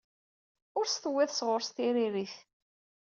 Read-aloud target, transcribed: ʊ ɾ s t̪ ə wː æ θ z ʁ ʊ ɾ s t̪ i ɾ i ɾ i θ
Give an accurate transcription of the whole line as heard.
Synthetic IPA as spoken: ʊ ɾ s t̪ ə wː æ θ s ʁ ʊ ɾ s t̪ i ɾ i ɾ i θ